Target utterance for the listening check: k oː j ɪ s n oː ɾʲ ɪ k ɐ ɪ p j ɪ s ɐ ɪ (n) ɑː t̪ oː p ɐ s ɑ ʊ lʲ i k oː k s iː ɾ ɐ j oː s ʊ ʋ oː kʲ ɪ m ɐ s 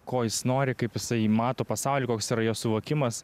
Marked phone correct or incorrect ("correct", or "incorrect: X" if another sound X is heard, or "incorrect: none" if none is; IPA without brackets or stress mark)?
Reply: incorrect: m